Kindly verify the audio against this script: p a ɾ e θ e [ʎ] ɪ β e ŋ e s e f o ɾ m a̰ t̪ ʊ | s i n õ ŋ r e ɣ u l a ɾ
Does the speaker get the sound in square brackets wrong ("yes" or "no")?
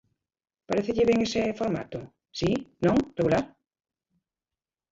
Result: no